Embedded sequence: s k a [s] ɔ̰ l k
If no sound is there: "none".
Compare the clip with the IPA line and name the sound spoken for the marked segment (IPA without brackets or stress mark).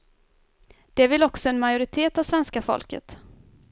f